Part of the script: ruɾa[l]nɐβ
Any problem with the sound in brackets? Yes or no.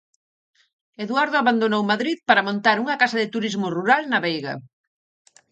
no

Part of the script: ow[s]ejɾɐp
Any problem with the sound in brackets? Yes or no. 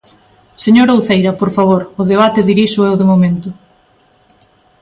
yes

